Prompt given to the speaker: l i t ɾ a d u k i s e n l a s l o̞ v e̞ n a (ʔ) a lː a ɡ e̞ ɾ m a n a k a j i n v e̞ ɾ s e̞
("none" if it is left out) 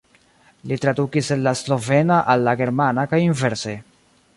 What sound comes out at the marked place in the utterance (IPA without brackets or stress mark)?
ʔ